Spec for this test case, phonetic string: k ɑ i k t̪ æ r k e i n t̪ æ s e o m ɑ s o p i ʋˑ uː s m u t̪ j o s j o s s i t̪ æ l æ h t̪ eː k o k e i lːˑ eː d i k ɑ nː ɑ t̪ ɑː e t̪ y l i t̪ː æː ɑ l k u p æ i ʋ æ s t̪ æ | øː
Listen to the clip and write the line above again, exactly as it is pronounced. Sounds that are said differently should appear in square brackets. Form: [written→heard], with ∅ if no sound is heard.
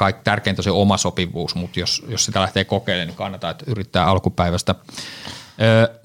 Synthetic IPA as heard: k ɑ i k t̪ æ r k e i n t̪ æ s e o m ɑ s o p i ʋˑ uː s m u t̪ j o s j o s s i t̪ æ l æ h t̪ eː k o k e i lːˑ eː [d→n] i k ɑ nː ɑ t̪ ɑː e t̪ y [l→r] i t̪ː æː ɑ l k u p æ i ʋ æ s t̪ æ | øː